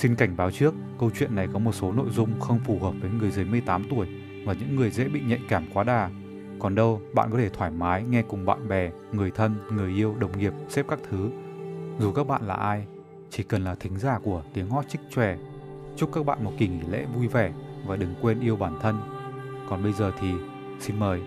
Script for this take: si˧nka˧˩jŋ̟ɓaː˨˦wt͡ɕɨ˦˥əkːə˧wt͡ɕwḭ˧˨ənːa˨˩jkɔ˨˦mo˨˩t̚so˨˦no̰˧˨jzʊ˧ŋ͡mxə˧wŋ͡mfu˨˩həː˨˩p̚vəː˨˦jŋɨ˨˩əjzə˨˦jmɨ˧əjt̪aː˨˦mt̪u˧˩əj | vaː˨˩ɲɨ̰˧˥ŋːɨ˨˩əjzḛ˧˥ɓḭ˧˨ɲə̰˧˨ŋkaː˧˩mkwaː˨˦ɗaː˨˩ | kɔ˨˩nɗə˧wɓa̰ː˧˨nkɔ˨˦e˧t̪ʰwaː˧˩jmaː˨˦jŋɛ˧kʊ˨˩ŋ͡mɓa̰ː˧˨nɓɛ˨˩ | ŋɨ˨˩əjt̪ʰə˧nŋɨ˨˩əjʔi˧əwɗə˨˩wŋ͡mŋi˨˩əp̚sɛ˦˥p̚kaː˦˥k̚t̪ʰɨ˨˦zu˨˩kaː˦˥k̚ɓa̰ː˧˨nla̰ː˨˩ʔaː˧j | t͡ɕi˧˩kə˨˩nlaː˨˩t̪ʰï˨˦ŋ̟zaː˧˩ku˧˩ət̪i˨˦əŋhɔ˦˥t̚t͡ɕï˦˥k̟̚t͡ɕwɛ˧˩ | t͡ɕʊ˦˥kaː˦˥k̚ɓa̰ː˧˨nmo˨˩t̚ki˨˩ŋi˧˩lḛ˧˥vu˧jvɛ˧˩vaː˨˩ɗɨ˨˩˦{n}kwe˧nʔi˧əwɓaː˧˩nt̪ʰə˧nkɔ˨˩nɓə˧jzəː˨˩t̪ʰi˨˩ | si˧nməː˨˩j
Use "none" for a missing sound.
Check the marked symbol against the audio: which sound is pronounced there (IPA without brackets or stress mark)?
ŋ